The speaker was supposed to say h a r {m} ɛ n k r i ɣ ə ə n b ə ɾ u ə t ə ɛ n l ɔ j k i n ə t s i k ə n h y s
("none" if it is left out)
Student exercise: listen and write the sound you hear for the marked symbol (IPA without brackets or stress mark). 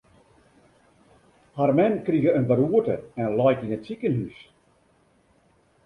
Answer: m